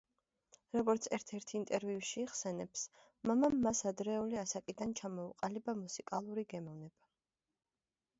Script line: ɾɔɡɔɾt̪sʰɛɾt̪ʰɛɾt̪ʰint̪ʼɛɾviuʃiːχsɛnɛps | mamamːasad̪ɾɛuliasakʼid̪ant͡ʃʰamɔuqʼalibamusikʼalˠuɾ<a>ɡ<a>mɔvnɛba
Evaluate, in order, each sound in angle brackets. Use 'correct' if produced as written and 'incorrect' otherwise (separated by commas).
incorrect, incorrect